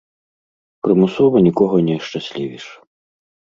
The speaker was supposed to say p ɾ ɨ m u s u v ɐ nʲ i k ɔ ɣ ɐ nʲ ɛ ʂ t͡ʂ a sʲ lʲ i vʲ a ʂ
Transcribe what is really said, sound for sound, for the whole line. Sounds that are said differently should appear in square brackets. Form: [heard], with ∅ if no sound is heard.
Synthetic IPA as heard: p ɾ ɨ m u s [ɔ] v ɐ nʲ i k ɔ ɣ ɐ nʲ ɛ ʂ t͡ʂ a sʲ lʲ i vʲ [i] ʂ